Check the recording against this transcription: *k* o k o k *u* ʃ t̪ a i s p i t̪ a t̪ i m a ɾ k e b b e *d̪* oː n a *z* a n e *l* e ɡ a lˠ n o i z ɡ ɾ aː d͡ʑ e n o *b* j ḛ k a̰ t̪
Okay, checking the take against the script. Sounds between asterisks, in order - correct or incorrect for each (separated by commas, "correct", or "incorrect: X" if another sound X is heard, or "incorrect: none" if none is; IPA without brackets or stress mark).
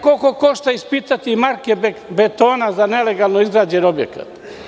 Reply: correct, incorrect: o, incorrect: t̪, correct, correct, correct